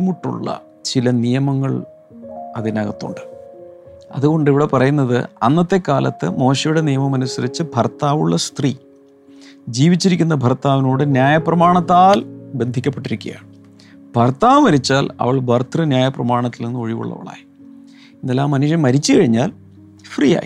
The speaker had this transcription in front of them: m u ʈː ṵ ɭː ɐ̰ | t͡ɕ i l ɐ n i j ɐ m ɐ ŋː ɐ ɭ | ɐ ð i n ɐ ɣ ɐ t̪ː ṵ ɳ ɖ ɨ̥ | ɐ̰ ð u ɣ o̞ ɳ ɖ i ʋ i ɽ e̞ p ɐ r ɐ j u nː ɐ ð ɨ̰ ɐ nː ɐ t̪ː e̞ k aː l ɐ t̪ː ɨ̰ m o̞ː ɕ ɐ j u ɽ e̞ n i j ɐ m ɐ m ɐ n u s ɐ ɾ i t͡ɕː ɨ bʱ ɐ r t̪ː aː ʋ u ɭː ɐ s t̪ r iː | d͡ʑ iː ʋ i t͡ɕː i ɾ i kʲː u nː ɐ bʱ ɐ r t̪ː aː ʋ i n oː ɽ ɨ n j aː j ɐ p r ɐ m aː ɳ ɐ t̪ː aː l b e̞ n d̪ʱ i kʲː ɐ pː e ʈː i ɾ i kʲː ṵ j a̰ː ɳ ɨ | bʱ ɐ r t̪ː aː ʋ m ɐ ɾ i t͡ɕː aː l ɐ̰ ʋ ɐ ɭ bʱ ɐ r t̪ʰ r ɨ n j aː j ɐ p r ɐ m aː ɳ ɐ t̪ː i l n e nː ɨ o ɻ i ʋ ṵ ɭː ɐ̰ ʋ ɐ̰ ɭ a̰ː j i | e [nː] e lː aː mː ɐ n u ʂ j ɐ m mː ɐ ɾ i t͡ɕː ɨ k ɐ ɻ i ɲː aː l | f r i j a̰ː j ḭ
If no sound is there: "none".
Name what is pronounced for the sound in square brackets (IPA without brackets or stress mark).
nː